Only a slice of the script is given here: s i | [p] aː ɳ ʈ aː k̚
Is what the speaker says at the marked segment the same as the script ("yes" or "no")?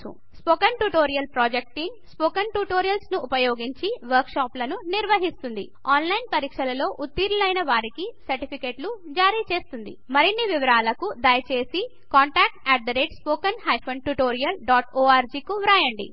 no